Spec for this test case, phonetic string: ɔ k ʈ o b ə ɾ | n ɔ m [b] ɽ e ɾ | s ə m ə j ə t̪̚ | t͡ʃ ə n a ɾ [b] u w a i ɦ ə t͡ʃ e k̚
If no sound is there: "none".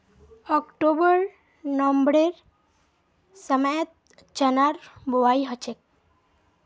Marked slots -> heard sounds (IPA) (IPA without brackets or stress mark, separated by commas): b, b